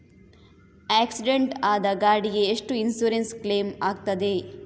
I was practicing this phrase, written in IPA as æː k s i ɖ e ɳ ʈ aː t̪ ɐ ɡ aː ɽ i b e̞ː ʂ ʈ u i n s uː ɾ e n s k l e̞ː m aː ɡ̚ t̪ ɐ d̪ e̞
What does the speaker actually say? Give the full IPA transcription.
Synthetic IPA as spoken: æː k s i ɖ e ɳ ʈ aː d̪ ɐ ɡ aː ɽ i ɡ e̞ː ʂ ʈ u i n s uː ɾ e n s k l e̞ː m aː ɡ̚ t̪ ɐ d̪ e̞